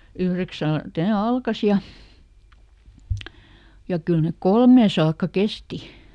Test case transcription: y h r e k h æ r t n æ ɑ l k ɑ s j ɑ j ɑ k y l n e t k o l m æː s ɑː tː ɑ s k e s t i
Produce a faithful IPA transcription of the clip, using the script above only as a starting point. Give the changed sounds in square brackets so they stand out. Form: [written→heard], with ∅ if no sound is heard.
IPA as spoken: y h r e k [h→s] æ [r→l] t n [æ→e] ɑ l k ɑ s j ɑ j ɑ k y l n e [t→k] k o l m [æː→eː] s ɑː [tː→kː] ɑ [s→∅] k e s t i